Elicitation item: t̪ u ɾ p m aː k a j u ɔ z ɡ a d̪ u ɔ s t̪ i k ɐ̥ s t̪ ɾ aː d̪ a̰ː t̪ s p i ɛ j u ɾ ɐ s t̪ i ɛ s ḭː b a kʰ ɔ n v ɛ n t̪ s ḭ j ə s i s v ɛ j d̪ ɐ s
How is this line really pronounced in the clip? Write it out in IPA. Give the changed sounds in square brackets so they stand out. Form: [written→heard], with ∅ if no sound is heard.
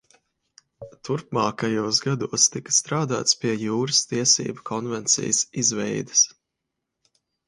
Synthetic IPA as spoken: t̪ u ɾ p m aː k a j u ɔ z ɡ a d̪ u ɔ s t̪ i k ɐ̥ s t̪ ɾ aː d̪ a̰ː t̪ s p i ɛ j [u→uː] ɾ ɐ s t̪ i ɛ s ḭː b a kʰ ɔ n v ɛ n t̪ s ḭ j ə s i [s→z] v ɛ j d̪ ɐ s